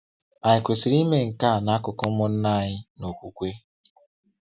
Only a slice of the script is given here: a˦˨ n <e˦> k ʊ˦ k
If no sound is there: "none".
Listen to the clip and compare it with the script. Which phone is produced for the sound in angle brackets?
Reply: a˦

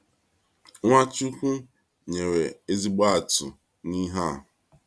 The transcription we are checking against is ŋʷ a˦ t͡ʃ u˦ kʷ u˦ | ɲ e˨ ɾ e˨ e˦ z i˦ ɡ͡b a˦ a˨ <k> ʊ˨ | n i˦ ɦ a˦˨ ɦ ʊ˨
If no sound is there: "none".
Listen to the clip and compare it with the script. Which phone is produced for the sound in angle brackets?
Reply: t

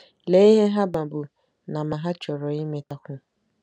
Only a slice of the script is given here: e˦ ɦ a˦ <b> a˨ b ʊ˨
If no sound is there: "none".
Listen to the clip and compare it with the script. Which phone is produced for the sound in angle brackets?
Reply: b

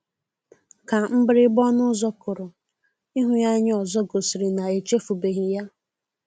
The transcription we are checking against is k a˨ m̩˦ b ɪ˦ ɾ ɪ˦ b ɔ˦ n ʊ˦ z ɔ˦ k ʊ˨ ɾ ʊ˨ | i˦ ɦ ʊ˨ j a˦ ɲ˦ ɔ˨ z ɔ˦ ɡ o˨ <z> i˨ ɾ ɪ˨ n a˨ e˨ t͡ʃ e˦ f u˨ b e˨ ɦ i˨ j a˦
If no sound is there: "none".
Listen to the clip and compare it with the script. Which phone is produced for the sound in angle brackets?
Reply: s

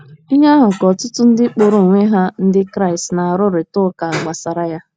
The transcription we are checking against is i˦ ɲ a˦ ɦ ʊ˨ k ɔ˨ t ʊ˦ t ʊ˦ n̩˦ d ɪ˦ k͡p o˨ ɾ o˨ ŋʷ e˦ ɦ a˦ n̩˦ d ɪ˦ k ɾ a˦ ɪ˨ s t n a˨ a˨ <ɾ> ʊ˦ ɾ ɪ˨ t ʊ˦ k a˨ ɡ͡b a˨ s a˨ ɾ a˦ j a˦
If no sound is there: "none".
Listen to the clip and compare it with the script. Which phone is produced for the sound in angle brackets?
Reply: ɾ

